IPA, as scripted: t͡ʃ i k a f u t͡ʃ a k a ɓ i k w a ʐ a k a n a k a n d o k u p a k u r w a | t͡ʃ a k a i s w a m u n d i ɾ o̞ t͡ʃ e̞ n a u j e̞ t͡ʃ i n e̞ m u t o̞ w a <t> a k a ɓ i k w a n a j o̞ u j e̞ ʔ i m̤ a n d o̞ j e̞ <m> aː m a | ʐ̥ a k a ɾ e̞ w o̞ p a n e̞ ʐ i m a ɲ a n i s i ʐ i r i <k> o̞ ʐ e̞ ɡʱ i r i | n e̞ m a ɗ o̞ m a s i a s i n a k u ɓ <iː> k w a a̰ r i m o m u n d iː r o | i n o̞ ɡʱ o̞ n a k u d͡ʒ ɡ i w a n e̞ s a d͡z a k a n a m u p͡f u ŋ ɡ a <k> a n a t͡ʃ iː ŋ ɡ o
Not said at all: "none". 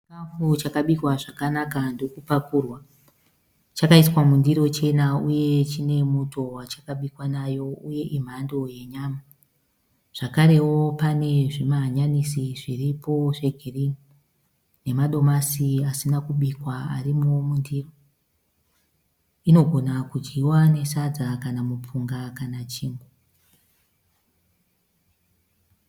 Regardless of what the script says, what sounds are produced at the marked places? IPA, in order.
t͡ʃ, ɲ, p, i, k

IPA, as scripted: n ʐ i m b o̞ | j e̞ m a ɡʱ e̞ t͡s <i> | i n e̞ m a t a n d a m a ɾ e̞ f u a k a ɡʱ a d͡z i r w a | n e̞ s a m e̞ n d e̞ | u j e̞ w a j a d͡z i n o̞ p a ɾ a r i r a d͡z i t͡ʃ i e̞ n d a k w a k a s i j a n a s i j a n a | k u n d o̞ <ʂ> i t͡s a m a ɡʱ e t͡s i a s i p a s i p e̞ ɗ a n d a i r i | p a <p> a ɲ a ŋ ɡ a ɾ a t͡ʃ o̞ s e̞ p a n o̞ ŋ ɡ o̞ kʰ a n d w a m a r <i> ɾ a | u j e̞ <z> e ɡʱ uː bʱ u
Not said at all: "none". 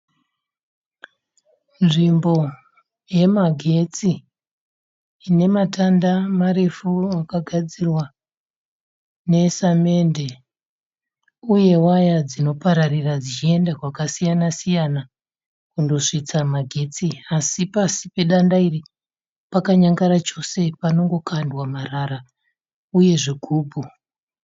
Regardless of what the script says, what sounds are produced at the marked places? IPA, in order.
i, ʂ, k, a, ʐ

